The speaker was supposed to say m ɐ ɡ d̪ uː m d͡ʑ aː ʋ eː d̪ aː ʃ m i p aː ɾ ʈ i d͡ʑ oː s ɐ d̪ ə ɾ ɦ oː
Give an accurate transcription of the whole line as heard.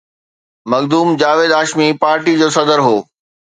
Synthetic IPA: m ɐ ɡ d̪ uː m d͡ʑ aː ʋ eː d̪ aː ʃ m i p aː ɾ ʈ i d͡ʑ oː s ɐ d̪ ə ɾ ɦ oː